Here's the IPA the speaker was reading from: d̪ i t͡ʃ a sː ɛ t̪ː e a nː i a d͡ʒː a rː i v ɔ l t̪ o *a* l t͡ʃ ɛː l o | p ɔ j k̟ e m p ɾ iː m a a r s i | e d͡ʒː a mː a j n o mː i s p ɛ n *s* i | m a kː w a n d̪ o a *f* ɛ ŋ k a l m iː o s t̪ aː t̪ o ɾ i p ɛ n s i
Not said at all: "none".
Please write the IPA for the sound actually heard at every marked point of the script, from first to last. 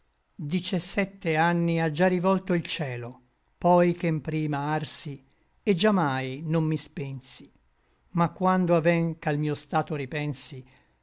i, s, v

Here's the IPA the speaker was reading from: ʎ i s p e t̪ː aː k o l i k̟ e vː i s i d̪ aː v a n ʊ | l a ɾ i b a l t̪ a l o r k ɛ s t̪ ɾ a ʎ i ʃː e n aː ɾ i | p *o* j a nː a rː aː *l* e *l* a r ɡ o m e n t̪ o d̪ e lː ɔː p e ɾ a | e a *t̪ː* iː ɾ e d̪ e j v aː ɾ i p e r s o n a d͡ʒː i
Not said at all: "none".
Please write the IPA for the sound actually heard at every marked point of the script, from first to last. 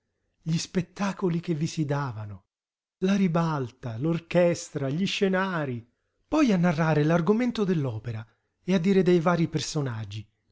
ɔ, ɾ, l, d̪ː

